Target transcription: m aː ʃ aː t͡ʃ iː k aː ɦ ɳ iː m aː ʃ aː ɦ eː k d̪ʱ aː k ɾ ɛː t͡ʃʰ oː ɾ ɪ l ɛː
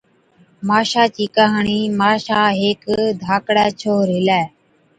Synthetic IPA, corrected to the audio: m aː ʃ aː t͡ʃ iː k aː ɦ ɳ iː m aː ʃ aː ɦ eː k d̪ʱ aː k ɽ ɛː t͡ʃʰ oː ɾ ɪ l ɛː

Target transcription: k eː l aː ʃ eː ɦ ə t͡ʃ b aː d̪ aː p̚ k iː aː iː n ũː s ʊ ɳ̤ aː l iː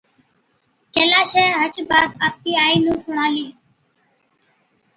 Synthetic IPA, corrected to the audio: k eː l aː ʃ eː ɦ ə t͡ʃ b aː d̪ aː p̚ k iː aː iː n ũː s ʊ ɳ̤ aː l iː

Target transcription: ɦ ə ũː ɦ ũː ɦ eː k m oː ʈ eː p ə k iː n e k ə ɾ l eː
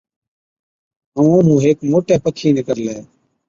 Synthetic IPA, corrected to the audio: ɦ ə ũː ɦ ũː ɦ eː k m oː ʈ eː p ə kʰ iː n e k ə ɾ l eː

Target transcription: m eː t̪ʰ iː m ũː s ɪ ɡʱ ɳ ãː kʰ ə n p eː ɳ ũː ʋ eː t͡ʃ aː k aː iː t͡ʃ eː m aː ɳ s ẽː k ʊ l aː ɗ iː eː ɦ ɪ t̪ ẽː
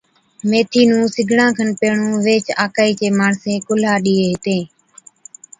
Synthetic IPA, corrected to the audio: m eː t̪ʰ iː n ũː s ɪ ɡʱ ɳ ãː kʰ ə n p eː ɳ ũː ʋ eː t͡ʃ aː k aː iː t͡ʃ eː m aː ɳ s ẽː k ʊ l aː ɗ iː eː ɦ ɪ t̪ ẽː

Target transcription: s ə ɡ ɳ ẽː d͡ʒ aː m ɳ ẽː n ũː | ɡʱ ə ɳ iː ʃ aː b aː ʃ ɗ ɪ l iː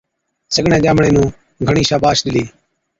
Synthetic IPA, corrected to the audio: s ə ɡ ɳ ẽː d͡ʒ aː m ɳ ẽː n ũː | ɡʱ ə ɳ iː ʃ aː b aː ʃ ɗ ɪ l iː

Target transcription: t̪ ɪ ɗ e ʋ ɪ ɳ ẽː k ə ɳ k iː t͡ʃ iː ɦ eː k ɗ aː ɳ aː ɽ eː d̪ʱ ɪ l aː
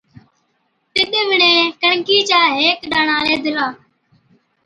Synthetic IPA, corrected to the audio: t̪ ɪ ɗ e ʋ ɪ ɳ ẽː k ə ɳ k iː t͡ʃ aː ɦ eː k ɗ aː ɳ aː l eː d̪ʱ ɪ l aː

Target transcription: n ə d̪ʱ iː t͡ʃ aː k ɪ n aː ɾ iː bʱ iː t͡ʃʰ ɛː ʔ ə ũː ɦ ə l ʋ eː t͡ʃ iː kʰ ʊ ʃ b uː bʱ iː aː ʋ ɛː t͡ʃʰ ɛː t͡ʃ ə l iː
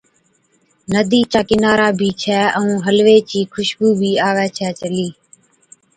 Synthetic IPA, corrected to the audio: n ə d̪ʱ iː t͡ʃ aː k ɪ n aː ɾ aː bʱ iː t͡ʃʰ ɛː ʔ ə ũː ɦ ə l ʋ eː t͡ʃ iː kʰ ʊ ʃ b uː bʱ iː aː ʋ ɛː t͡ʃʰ ɛː t͡ʃ ə l iː

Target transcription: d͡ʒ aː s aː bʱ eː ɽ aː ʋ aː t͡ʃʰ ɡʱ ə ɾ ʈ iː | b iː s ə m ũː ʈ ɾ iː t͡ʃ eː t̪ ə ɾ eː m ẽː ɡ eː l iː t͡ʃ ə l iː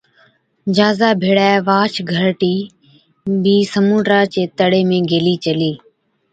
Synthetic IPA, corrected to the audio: d͡ʒ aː z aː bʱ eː ɽ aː ʋ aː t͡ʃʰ ɡʱ ə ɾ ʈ iː | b iː s ə m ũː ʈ ɾ aː t͡ʃ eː t̪ ə ɽ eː m ẽː ɡ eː l iː t͡ʃ ə l iː

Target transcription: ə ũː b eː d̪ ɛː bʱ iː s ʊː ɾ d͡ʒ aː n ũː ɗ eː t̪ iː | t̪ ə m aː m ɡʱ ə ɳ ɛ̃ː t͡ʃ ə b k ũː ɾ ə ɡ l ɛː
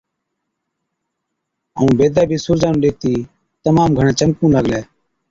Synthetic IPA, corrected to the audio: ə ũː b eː d̪ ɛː bʱ iː s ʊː ɾ d͡ʒ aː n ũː ɗ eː t̪ iː | t̪ ə m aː m ɡʱ ə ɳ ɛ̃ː t͡ʃ ə m k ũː l ə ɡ l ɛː

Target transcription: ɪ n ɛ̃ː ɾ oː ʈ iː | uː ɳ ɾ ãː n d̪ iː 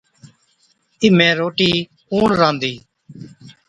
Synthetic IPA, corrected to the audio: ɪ m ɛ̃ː ɾ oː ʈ iː | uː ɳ ɾ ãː n d̪ iː

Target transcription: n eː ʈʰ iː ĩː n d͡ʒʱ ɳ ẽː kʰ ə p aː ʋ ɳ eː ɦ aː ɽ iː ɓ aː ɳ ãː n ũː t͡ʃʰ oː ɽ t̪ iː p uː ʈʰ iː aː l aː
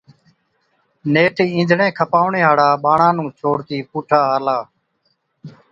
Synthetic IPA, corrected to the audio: n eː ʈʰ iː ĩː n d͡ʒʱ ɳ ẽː kʰ ə p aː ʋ ɳ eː ɦ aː ɽ aː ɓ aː ɳ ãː n ũː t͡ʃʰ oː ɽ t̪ iː p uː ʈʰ aː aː l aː

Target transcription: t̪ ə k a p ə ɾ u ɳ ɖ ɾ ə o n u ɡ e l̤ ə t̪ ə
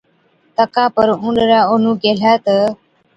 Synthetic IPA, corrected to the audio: t̪ ə k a p ə ɾ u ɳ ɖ ɾ a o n u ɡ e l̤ a t̪ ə

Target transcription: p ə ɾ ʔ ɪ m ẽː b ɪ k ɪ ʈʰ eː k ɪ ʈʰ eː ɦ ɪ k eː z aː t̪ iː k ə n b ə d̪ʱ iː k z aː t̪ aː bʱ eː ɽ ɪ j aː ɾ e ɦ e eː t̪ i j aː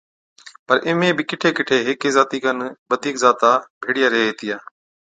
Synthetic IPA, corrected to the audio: p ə ɾ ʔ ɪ m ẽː b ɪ k ɪ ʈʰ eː k ɪ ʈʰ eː ɦ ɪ k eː z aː t̪ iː k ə n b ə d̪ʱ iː k z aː t̪ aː bʱ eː ɽ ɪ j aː ɾ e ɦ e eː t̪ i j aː

